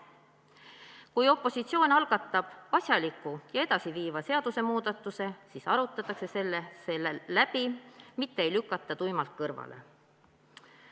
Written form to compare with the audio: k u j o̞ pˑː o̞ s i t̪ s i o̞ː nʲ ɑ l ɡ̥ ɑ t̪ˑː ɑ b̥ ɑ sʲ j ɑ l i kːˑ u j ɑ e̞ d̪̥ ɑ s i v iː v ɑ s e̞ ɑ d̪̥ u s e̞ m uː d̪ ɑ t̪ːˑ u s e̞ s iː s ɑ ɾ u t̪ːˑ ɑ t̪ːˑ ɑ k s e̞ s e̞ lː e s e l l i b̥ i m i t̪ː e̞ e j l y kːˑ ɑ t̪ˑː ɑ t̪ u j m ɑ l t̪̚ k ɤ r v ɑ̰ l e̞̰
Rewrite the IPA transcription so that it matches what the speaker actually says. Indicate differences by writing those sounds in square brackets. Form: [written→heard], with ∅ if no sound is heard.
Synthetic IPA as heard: k u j o̞ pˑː o̞ s i t̪ s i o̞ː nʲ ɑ l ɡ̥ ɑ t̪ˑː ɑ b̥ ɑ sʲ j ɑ l i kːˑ u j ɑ e̞ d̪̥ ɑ s i v iː v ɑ s e̞ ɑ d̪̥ u s e̞ m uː d̪ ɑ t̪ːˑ u s e̞ s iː s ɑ ɾ u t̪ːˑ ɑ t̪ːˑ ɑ k s e̞ s e̞ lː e s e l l [i→æ] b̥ i m i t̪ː e̞ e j l y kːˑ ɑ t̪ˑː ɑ t̪ u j m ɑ l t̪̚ k ɤ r v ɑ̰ l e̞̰